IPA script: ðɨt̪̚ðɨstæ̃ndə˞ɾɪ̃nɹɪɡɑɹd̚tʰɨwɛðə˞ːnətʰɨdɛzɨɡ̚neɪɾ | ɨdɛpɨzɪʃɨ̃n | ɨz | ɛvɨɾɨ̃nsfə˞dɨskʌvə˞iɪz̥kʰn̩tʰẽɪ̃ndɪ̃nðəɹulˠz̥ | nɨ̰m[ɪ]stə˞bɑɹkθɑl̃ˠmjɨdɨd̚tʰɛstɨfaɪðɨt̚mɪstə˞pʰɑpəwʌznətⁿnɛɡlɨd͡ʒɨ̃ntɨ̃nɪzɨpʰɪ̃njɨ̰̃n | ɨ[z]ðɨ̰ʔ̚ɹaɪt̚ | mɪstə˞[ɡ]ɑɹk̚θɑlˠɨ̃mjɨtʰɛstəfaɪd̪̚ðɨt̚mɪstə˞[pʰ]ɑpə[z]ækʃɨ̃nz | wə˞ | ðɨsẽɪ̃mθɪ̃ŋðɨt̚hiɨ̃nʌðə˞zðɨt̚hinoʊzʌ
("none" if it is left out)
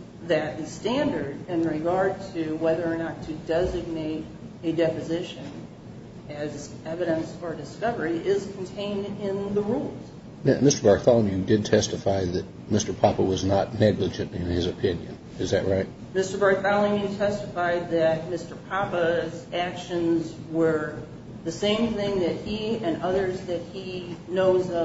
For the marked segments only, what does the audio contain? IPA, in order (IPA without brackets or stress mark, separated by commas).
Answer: ɪ, z, b, pʰ, z